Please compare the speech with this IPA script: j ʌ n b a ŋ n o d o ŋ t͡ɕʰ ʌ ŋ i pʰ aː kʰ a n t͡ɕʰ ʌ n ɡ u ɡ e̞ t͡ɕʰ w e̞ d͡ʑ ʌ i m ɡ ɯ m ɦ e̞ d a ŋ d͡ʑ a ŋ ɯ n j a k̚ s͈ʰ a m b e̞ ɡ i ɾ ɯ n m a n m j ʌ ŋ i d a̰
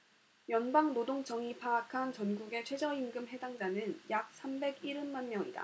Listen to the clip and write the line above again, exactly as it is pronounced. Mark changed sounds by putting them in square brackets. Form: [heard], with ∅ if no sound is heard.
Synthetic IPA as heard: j ʌ n b a ŋ n o d o ŋ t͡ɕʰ ʌ ŋ i pʰ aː kʰ a n [t͡ɕ] ʌ n ɡ u ɡ e̞ t͡ɕʰ w e̞ d͡ʑ ʌ i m ɡ ɯ m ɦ e̞ d a ŋ d͡ʑ a [n] ɯ n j a k̚ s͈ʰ a m b e̞ ɡ i ɾ ɯ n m a n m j ʌ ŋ i d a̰